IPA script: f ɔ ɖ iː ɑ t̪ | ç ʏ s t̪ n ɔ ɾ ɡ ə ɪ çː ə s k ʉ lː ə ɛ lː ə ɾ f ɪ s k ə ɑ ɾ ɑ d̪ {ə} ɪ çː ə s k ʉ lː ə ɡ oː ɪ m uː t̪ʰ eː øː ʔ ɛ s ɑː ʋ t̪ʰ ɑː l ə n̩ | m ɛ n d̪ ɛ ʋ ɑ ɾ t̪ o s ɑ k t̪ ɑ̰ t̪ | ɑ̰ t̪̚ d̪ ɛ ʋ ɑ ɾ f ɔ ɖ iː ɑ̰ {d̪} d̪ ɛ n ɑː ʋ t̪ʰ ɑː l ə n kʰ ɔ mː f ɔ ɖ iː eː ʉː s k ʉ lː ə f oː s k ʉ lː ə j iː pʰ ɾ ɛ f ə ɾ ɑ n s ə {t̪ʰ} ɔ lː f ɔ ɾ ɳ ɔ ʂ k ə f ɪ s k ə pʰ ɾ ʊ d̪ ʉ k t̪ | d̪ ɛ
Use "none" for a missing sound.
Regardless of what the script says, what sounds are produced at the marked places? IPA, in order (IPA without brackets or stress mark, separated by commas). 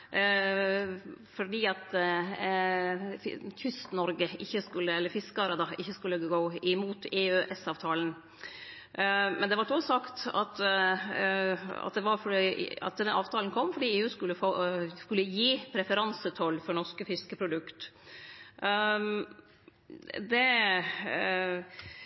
ɑ, t̪, t̪ʰ